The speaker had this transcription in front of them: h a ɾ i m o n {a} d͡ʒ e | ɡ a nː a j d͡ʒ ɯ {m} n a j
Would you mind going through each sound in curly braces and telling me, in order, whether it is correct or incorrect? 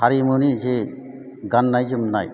incorrect: i, correct

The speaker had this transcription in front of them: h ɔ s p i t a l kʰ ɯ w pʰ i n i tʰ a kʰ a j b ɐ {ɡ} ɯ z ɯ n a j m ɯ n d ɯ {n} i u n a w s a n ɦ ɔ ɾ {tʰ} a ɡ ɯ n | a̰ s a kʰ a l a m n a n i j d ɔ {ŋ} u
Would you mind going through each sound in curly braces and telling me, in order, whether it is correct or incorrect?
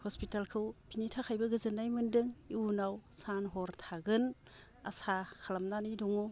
correct, incorrect: ŋ, correct, correct

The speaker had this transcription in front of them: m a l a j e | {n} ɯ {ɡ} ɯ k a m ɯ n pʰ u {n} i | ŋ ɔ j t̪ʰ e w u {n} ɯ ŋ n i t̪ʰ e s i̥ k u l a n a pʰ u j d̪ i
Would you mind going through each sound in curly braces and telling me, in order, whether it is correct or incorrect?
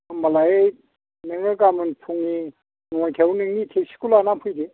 correct, incorrect: ŋ, incorrect: ŋ, correct

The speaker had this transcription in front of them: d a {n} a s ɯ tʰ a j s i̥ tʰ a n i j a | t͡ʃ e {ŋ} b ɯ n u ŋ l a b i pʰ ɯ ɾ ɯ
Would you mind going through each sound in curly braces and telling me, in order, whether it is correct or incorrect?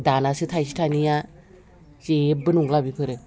correct, incorrect: none

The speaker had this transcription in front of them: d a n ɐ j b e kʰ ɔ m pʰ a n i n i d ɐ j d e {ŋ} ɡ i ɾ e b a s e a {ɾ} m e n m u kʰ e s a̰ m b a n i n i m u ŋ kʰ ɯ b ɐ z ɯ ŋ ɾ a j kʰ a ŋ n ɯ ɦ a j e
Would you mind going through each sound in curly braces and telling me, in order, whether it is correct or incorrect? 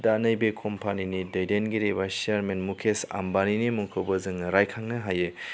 incorrect: n, correct

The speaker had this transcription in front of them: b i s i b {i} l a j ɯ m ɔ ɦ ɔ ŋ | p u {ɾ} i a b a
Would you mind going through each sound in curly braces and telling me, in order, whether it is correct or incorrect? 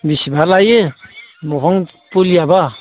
incorrect: a, incorrect: l

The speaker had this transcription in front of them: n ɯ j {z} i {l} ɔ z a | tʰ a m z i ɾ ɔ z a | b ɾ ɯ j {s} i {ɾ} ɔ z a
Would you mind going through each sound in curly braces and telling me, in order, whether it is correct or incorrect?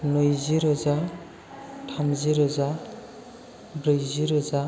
correct, incorrect: ɾ, incorrect: z, correct

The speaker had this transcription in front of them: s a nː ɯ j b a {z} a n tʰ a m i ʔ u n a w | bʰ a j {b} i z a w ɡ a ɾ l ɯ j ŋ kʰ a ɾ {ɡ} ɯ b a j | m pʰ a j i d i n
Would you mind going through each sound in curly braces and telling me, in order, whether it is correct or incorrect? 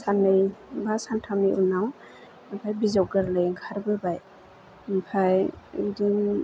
incorrect: s, correct, incorrect: b

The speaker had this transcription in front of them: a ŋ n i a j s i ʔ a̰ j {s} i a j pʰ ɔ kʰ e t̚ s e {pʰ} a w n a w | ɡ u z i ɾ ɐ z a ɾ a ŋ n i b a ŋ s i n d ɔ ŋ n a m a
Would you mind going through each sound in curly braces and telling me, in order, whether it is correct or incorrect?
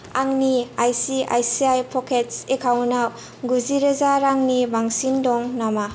correct, incorrect: kʰ

